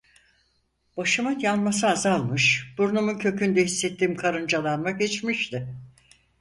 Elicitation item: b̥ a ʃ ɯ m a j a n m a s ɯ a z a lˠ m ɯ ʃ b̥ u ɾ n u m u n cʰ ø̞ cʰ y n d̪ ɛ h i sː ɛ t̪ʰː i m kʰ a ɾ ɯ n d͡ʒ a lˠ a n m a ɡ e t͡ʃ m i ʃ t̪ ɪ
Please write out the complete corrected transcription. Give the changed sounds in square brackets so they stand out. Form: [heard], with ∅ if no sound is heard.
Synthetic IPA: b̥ a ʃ ɯ m a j a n m a s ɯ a z a lˠ m ɯ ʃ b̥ u ɾ n u m u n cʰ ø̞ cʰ y n d̪ ɛ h i sː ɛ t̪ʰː [iː] m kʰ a ɾ ɯ n d͡ʒ a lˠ a n m a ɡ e t͡ʃ m i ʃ t̪ ɪ

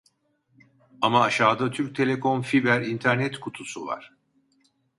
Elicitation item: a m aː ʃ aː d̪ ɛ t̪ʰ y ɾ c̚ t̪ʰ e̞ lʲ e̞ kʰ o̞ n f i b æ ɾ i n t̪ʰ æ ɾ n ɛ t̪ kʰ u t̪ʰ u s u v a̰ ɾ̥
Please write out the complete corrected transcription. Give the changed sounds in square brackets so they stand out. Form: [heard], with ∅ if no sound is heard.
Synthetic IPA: a m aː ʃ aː d̪ [a] t̪ʰ y ɾ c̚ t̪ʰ e̞ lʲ e̞ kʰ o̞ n f i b æ ɾ i n t̪ʰ æ ɾ n ɛ t̪ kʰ u t̪ʰ u s u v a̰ ɾ̥

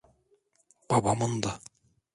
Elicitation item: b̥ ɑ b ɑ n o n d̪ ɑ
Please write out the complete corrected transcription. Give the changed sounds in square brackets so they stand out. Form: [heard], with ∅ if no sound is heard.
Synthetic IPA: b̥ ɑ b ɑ [m] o n d̪ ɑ

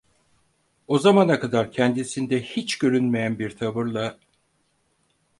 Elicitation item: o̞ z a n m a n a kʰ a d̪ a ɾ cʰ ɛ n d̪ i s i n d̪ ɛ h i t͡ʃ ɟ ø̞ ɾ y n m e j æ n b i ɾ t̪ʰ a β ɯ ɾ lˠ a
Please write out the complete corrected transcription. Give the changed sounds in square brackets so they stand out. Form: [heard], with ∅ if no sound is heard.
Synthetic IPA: o̞ z a [∅] m a n a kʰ a d̪ a ɾ cʰ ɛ n d̪ i s i n d̪ ɛ h i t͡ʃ ɟ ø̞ ɾ y n m e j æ n b i ɾ t̪ʰ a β ɯ ɾ lˠ a

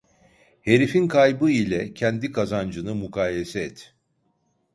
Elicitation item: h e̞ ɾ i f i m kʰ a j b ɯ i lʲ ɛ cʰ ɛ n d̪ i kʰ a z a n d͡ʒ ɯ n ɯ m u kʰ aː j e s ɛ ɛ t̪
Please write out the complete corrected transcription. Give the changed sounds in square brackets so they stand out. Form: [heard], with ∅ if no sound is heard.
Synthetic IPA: h e̞ ɾ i f i [n] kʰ a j b ɯ i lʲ ɛ cʰ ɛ n d̪ i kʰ a z a n d͡ʒ ɯ n ɯ m u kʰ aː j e s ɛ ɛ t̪

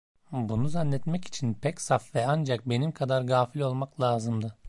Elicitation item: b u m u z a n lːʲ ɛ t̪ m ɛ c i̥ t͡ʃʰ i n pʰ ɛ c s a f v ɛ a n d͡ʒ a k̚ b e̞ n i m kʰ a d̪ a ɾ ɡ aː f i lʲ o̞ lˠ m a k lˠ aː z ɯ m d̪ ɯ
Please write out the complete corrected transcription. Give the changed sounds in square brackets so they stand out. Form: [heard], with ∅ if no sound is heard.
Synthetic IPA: b u [n] u z a n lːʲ ɛ t̪ m ɛ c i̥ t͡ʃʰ i n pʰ ɛ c s a f v ɛ a n d͡ʒ a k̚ b e̞ n i m kʰ a d̪ a ɾ ɡ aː f i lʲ o̞ lˠ m a k lˠ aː z ɯ m d̪ ɯ

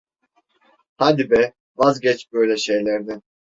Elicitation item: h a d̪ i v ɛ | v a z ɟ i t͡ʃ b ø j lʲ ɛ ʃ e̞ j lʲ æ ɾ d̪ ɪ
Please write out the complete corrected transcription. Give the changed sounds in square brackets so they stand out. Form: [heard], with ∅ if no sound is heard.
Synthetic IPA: h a d̪ i [b] ɛ | v a z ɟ [ɛ] t͡ʃ b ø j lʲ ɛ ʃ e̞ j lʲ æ ɾ d̪ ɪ

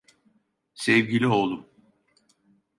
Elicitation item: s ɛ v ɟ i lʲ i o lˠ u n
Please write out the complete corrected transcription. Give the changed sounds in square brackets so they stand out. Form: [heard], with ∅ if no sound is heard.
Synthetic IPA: s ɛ v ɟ i lʲ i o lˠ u [m]

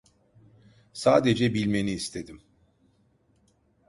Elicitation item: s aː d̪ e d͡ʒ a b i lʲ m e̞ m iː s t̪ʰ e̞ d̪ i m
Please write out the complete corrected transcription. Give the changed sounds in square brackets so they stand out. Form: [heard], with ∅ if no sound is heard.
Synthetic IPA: s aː d̪ e d͡ʒ [ɛ] b i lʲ m e̞ [n] iː s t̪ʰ e̞ d̪ i m

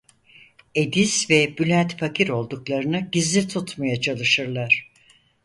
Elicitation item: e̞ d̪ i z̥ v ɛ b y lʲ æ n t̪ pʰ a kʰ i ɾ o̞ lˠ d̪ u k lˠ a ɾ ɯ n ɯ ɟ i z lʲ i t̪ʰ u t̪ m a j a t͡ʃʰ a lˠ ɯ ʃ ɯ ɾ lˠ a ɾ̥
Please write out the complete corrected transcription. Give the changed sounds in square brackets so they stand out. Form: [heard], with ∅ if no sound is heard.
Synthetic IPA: e̞ d̪ i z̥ v ɛ b y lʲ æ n t̪ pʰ a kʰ i ɾ o̞ lˠ d̪ u k lˠ a ɾ ɯ n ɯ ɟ i z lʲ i t̪ʰ u t̪ m a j a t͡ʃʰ a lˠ ɯ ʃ ɯ ɾ lˠ a ɾ̥

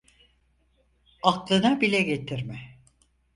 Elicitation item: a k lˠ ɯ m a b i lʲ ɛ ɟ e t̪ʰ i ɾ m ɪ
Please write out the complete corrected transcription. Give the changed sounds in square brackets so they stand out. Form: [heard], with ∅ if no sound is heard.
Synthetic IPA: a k lˠ ɯ [n] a b i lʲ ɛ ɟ e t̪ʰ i ɾ m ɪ

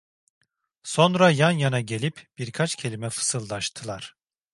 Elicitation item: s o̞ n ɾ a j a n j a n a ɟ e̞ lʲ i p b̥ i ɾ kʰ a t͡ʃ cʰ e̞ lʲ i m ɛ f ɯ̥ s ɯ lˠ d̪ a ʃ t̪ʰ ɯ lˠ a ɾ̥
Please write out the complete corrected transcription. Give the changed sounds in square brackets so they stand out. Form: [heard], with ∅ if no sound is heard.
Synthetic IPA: s o̞ n ɾ a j a n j a n a ɟ e̞ lʲ i p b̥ i ɾ kʰ a t͡ʃ cʰ e̞ lʲ i m ɛ f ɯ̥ s ɯ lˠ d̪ a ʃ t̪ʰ ɯ lˠ a ɾ̥

